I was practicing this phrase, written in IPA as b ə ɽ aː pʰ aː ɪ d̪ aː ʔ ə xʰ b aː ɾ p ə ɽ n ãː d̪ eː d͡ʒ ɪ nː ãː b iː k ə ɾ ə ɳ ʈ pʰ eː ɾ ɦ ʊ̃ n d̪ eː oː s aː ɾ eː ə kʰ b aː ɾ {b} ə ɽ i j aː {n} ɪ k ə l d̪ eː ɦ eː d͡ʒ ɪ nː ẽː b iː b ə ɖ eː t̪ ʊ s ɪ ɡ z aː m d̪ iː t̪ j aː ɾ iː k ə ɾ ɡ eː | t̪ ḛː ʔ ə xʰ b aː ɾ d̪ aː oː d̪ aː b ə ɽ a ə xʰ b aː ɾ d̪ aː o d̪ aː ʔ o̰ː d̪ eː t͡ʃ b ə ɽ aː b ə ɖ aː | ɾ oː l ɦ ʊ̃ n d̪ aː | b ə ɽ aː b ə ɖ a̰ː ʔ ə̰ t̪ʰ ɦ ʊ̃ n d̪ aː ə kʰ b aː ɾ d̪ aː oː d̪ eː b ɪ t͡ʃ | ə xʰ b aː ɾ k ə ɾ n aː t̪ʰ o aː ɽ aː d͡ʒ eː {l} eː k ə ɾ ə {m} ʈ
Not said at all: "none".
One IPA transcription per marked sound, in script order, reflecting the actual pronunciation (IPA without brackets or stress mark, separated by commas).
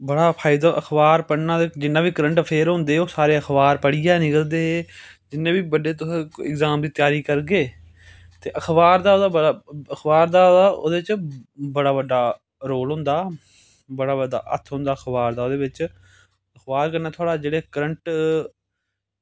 p, n, ɽ, ɳ